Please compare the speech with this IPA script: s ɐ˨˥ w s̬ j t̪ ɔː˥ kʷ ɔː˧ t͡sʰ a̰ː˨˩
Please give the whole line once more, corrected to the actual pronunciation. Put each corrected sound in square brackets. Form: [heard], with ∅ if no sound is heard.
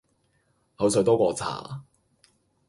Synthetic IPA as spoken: [h] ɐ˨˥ w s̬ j t̪ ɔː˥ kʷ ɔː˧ t͡sʰ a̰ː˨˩